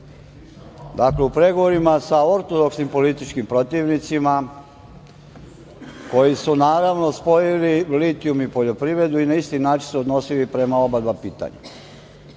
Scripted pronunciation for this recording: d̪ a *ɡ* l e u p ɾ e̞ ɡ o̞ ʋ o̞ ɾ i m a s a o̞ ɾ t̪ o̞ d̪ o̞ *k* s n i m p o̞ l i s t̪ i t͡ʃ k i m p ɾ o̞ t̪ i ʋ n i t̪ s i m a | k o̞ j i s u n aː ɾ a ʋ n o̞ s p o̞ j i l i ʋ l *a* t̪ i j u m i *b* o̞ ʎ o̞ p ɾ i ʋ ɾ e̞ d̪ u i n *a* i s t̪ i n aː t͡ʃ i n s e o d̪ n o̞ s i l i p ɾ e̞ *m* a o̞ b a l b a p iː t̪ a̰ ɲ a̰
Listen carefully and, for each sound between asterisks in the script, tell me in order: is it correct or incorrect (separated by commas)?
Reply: incorrect, correct, incorrect, incorrect, correct, correct